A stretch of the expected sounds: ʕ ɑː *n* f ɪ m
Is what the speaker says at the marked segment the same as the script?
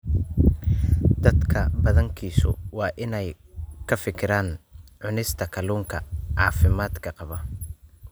no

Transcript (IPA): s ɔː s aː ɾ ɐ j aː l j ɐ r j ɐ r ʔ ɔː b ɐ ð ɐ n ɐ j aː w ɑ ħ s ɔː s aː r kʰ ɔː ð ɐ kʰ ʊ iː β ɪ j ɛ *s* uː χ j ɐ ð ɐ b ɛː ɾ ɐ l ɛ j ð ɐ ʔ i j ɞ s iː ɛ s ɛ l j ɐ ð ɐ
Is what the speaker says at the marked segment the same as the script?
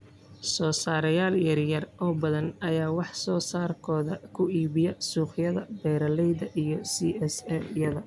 yes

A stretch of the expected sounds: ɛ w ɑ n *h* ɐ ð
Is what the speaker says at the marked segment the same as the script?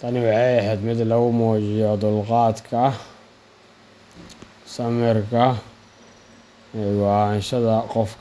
no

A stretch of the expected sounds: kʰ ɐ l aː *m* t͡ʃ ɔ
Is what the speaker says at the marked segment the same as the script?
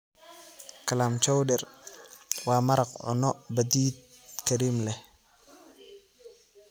yes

